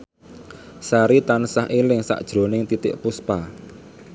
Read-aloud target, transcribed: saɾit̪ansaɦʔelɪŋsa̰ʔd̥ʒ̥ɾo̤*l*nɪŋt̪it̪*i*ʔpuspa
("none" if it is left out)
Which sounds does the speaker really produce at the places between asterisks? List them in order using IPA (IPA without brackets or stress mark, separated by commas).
none, ɪ